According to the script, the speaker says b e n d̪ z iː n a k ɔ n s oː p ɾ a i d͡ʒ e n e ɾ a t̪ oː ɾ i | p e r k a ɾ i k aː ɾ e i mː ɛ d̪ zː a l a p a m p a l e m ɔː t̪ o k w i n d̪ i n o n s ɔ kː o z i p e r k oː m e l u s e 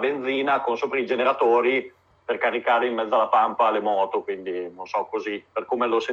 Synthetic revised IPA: b e n d̪ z iː n a k o n s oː p ɾ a i d͡ʒ e n e ɾ a t̪ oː ɾ i | p e r k a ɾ i k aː ɾ e i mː ɛ d̪ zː a l a p a m p a l e m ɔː t̪ o k w i n d̪ i n o n s ɔ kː o z i p e r k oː m e l o s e